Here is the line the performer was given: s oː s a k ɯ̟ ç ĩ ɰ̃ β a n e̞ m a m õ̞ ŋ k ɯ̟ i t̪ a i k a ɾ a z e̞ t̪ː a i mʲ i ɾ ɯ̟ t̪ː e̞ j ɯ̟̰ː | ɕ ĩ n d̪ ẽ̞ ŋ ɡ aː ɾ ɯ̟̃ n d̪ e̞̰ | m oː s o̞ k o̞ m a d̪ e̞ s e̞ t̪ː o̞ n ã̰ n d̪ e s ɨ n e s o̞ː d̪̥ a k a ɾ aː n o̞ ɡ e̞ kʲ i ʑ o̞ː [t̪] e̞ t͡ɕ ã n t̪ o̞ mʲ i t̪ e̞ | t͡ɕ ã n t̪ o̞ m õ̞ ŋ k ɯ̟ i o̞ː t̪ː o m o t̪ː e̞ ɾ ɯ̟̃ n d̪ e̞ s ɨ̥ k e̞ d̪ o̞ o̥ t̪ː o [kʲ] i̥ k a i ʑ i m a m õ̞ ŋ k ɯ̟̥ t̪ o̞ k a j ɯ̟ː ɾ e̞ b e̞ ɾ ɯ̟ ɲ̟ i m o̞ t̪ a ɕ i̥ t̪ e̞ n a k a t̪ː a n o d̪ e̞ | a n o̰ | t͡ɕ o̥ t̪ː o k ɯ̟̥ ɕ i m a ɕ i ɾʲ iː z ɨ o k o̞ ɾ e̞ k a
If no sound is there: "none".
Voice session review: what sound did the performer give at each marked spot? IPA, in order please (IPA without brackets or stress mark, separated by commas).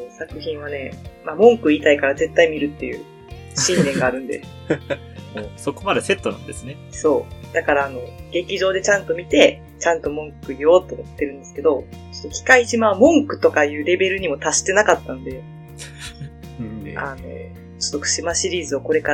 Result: d̪, kʲ